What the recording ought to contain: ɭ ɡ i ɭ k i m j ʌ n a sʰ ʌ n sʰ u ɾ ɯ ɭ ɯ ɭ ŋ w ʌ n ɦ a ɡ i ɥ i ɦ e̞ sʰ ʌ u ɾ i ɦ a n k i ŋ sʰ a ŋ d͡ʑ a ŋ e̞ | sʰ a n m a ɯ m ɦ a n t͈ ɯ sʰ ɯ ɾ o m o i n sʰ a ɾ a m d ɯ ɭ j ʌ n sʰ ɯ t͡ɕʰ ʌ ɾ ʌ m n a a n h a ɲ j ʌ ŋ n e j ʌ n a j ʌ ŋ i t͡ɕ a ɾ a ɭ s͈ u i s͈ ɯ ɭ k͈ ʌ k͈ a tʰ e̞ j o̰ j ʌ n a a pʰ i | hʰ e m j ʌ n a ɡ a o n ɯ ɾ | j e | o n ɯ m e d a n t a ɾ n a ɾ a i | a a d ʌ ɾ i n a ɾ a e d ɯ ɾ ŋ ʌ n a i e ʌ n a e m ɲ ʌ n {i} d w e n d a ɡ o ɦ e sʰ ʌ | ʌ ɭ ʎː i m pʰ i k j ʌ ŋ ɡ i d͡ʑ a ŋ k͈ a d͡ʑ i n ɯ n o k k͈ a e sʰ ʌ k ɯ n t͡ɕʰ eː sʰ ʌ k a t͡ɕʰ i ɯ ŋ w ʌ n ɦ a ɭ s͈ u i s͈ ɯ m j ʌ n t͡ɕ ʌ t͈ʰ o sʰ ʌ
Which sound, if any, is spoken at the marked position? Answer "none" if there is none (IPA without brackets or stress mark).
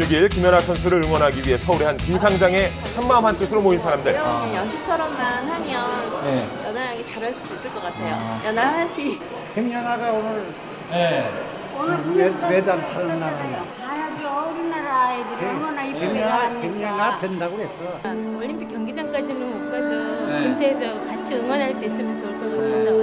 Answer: a